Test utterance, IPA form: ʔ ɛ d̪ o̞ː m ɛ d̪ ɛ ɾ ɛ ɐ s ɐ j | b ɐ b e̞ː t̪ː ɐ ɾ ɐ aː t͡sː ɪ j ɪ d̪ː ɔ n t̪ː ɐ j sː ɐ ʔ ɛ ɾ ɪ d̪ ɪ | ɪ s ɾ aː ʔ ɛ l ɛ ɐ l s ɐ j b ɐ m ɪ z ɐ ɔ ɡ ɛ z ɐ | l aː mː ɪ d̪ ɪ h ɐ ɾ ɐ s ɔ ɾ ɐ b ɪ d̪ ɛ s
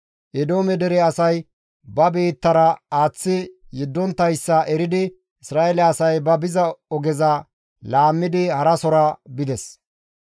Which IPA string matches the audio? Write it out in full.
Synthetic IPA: ʔ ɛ d̪ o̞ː m ɛ d̪ ɛ ɾ ɛ ɐ s ɐ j | b ɐ b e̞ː t̪ː ɐ ɾ ɐ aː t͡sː ɪ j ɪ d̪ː ɔ n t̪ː ɐ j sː ɐ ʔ ɛ ɾ ɪ d̪ ɪ | ɪ s ɾ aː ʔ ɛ l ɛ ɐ s ɐ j b ɐ b ɪ z ɐ ɔ ɡ ɛ z ɐ | l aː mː ɪ d̪ ɪ h ɐ ɾ ɐ s ɔ ɾ ɐ b ɪ d̪ ɛ s